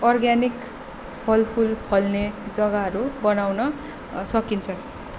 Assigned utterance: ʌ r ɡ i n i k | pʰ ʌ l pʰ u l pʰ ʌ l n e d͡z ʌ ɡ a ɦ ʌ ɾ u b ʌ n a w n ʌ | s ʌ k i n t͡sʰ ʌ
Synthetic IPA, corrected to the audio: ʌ r ɡ a n i k | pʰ ʌ l pʰ u l pʰ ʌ l n e d͡z ʌ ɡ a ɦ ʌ ɾ u b ʌ n a w n ʌ | s ʌ k i n t͡sʰ ʌ

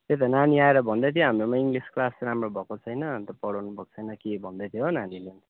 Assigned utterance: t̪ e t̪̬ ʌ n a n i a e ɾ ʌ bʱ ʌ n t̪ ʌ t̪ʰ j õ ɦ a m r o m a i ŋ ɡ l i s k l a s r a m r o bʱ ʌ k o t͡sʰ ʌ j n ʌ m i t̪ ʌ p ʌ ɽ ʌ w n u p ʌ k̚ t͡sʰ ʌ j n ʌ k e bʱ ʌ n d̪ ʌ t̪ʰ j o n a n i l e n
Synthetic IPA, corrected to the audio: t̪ e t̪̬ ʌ n a n i a e ɾ ʌ bʱ ʌ n d̪ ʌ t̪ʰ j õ ɦ a m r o m a i ŋ ɡ l i s k l a s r a m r o bʱ ʌ k o t͡sʰ ʌ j n ʌ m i t̪ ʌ p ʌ ɽ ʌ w n u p ʌ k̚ t͡sʰ ʌ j n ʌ k e bʱ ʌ n d̪ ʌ t̪ʰ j o n a n i l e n

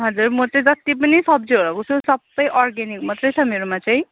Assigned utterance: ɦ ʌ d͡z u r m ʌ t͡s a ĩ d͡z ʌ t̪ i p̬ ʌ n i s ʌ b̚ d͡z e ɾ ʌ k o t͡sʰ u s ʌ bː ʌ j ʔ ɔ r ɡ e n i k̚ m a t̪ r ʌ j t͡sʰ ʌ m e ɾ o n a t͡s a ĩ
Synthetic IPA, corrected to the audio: ɦ ʌ d͡z u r m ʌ t͡s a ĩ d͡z ʌ t̪ i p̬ ʌ n i s ʌ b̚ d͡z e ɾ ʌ k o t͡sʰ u s ʌ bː ʌ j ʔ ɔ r ɡ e n i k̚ m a t̪ r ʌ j t͡sʰ ʌ m e ɾ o m a t͡s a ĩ

